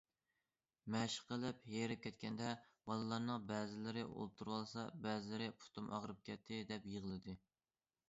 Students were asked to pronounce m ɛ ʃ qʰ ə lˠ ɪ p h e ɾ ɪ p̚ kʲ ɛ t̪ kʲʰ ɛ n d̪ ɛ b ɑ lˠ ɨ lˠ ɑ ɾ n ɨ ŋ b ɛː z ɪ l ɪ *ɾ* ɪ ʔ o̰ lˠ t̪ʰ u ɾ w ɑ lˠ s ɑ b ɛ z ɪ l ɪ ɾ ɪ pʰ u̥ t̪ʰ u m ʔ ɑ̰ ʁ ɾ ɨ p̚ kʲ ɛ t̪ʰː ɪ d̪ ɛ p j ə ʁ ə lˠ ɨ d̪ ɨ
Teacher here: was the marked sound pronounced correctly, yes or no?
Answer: yes